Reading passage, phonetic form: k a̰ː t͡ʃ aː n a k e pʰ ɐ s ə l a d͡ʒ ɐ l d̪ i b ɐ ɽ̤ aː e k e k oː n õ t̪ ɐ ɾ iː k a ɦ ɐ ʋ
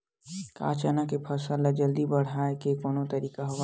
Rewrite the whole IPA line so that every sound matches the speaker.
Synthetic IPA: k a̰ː t͡ʃ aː n a k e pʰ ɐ s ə l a d͡ʒ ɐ l d̪ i b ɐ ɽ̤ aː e k e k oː n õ t̪ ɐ ɾ iː k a ɦ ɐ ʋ